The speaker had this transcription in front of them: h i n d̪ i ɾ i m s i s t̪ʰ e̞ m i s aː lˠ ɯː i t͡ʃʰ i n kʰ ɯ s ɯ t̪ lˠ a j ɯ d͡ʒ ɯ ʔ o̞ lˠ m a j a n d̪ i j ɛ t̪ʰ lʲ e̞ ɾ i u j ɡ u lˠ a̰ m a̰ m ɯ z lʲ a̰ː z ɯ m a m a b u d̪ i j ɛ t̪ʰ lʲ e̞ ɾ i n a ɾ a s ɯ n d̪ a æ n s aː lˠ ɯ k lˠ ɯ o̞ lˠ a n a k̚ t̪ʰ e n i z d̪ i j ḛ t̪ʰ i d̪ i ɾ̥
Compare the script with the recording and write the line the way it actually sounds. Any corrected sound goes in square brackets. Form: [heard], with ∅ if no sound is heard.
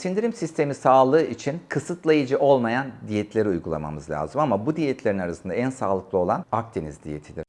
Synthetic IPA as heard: [s] i n d̪ i ɾ i m s i s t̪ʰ e̞ m i s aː lˠ ɯː i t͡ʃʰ i n kʰ ɯ s ɯ t̪ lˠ a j ɯ d͡ʒ ɯ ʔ o̞ lˠ m a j a n d̪ i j ɛ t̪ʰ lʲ e̞ ɾ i u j ɡ u lˠ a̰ m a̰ m ɯ z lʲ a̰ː z ɯ m a m a b u d̪ i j ɛ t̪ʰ lʲ e̞ ɾ i n a ɾ a s ɯ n d̪ a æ n s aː lˠ ɯ k lˠ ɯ o̞ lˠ a n a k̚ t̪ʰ e n i z d̪ i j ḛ t̪ʰ i d̪ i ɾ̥

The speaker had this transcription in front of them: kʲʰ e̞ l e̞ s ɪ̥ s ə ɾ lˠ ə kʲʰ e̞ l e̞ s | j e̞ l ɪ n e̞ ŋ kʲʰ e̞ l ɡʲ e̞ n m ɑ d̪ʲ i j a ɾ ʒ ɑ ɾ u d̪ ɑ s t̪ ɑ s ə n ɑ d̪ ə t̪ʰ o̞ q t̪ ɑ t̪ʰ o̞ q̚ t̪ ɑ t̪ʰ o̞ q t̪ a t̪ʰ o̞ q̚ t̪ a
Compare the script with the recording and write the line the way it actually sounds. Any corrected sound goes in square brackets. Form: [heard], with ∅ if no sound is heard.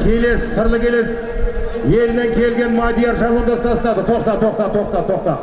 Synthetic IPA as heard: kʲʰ e̞ l e̞ s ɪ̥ s ə ɾ lˠ ə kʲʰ e̞ l e̞ s | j e̞ l ɪ n e̞ ŋ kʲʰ e̞ l ɡʲ e̞ n m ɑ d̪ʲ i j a ɾ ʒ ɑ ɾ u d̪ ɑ s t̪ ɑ s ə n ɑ d̪ ə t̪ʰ o̞ q t̪ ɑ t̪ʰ o̞ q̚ t̪ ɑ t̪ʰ o̞ q t̪ [ɑ] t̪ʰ o̞ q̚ t̪ [ɑ]

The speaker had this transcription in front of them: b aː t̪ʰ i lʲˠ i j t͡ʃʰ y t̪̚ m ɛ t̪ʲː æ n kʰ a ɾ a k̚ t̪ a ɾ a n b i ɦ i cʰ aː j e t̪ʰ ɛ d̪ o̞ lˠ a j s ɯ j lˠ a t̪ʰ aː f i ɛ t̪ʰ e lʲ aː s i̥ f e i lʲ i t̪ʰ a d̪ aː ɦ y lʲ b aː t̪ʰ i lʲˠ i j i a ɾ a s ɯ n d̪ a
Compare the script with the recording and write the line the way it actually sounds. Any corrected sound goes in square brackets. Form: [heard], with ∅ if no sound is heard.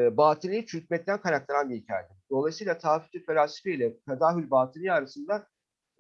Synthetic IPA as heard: b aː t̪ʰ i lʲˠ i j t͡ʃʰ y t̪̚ m ɛ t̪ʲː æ n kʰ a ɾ a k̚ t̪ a ɾ a n b i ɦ i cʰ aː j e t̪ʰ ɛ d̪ o̞ lˠ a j s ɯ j lˠ a t̪ʰ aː f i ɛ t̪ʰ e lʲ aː s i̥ f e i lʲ [ɛ] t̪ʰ a d̪ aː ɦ y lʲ b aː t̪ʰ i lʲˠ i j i a ɾ a s ɯ n d̪ a

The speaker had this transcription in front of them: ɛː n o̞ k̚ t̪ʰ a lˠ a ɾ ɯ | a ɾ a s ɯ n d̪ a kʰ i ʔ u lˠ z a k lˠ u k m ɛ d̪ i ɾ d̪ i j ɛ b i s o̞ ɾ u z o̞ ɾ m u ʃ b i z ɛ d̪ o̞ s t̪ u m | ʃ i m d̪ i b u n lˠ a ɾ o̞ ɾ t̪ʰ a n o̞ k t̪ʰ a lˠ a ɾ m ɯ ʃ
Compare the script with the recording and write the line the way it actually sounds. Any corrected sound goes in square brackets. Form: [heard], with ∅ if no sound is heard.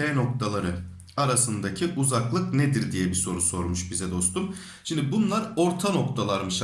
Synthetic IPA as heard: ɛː n o̞ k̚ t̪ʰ a lˠ a ɾ ɯ | a ɾ a s ɯ n d̪ a [cʰ] i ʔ u [∅] z a k lˠ [ɯ] k [n] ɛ d̪ i ɾ d̪ i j ɛ b i s o̞ ɾ u [s] o̞ ɾ m u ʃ b i z ɛ d̪ o̞ s t̪ u m | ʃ i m d̪ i b u n lˠ a ɾ o̞ ɾ t̪ʰ a n o̞ k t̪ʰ a lˠ a ɾ m ɯ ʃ

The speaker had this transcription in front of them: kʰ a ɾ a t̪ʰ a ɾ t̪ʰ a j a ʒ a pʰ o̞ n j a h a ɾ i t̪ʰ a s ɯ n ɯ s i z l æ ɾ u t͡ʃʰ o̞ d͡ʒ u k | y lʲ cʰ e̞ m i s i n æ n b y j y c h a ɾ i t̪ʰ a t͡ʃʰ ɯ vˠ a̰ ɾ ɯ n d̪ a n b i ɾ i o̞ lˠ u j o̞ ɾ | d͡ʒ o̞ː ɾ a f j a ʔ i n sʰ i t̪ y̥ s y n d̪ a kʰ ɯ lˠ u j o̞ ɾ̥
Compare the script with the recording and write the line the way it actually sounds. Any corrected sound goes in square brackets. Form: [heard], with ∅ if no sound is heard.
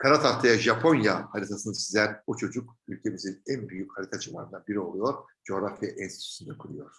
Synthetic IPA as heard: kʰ a ɾ a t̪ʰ a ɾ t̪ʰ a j a ʒ a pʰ o̞ n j a h a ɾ i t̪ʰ a s ɯ n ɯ s i z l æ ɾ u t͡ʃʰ o̞ d͡ʒ u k | y lʲ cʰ e̞ m i [z] i n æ n b y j y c h a ɾ i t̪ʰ a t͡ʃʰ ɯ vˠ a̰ ɾ ɯ n d̪ a n b i ɾ i o̞ lˠ u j o̞ ɾ | d͡ʒ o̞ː ɾ a f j a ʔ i n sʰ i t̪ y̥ s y n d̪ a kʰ ɯ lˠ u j o̞ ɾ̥

